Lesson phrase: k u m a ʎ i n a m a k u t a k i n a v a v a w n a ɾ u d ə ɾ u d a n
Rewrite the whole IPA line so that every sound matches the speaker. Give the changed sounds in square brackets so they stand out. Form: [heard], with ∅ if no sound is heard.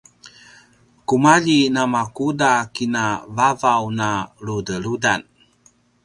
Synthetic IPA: k u m a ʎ i n a m a k u [d] a k i n a v a v a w n a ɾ u d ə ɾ u d a n